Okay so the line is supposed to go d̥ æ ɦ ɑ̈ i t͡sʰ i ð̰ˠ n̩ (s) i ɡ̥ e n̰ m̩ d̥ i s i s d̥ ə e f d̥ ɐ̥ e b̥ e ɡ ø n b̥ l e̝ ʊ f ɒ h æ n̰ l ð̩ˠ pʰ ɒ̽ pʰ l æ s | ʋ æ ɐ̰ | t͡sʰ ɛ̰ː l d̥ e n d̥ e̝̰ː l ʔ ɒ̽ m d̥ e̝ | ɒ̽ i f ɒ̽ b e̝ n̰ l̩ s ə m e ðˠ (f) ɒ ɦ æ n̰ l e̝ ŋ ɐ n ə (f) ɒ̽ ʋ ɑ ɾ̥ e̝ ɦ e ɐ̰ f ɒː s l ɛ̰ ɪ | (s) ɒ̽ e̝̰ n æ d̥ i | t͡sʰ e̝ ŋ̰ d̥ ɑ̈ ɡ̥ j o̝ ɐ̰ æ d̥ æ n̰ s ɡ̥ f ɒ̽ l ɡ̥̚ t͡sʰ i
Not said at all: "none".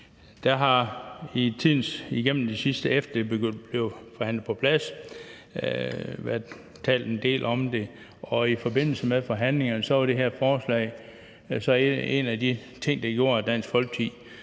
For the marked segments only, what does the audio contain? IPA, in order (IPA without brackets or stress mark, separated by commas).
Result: s, f, s, s